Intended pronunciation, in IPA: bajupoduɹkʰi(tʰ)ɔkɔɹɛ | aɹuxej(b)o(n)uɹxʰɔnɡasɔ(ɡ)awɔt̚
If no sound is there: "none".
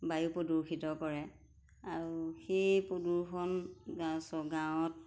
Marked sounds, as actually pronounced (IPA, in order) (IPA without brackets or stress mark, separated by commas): t, p, d, ɡ